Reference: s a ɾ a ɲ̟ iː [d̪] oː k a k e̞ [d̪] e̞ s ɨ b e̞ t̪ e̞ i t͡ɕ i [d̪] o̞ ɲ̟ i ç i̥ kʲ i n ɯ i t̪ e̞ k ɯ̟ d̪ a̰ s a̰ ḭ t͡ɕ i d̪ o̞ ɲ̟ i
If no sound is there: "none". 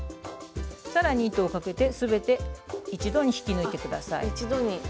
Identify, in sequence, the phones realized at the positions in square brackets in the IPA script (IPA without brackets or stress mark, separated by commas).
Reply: t̪, t̪, d̪